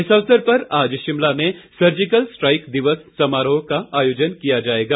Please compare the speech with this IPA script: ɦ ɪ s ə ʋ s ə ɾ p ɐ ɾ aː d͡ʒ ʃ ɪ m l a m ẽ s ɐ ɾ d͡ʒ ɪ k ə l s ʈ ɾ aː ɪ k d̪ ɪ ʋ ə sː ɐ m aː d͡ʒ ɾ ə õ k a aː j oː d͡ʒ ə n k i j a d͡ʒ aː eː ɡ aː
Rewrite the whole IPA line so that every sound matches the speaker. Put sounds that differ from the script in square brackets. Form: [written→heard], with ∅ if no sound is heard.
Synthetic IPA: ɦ ɪ s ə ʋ s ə ɾ p ɐ ɾ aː d͡ʒ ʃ ɪ m l a m ẽ s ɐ ɾ d͡ʒ ɪ k ə l s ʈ ɾ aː ɪ k d̪ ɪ ʋ ə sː ɐ m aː [d͡ʒ→∅] ɾ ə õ k a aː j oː d͡ʒ ə n k i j a d͡ʒ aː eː ɡ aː